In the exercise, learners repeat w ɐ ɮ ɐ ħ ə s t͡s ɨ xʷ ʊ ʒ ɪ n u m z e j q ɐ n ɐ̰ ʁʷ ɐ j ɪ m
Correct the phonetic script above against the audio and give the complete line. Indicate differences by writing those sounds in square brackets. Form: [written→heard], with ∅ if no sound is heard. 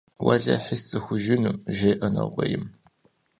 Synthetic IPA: w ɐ ɮ ɐ ħ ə s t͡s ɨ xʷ ʊ ʒ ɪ n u m [z→ʒ] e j [q→ʔ] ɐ n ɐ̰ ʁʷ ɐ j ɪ m